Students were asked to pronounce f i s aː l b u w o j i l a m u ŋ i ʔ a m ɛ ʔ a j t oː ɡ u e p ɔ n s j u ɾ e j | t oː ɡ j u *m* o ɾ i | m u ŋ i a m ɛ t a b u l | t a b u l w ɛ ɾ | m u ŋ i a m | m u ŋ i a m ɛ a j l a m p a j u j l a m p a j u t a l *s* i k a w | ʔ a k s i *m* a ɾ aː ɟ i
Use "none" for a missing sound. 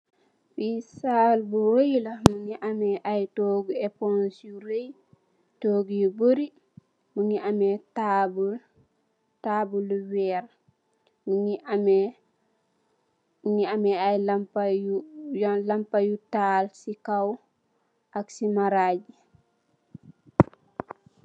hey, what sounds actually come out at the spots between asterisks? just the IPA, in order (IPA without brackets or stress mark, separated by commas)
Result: b, s, m